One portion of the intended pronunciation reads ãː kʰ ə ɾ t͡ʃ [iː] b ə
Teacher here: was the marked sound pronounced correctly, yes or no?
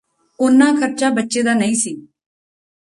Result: no